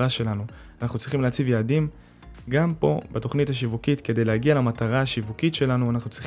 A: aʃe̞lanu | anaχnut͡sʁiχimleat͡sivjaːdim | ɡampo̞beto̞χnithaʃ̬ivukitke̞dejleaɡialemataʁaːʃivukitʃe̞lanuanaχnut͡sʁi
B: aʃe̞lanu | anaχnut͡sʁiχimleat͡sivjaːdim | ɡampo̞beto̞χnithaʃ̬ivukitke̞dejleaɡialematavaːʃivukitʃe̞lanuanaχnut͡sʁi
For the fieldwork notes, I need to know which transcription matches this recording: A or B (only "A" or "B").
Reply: A